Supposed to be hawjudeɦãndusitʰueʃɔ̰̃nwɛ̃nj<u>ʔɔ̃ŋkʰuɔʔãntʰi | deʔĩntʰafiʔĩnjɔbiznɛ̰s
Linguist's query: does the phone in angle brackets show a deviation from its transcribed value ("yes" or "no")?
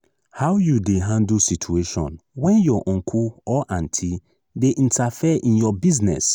yes